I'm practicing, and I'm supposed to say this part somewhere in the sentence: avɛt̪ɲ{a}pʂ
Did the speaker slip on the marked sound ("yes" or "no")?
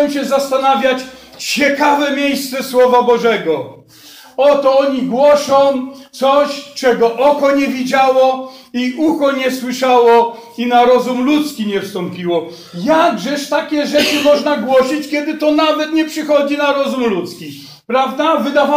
yes